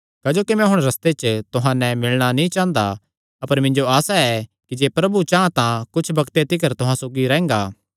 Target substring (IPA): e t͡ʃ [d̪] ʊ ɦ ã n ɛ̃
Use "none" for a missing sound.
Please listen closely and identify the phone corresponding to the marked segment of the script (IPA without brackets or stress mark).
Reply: t̪